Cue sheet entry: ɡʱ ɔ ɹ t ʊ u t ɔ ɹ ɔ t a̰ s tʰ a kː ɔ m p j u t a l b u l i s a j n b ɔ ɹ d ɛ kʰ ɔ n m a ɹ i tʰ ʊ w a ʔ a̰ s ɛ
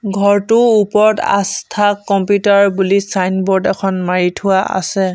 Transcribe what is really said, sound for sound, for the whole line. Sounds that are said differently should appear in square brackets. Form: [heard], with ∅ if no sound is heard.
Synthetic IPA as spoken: ɡʱ ɔ ɹ t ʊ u [p] ɔ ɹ ɔ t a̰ s tʰ a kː ɔ m p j u t a [ɹ] b u l i s a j n b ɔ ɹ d ɛ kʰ ɔ n m a ɹ i tʰ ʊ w a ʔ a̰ s ɛ